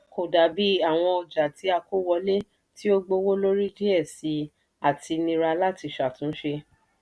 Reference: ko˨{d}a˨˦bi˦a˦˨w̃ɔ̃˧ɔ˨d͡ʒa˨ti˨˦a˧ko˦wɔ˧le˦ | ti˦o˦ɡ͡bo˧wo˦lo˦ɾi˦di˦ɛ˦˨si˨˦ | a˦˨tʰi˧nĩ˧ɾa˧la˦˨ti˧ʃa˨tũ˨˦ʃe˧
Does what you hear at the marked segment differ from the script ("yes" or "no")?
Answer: no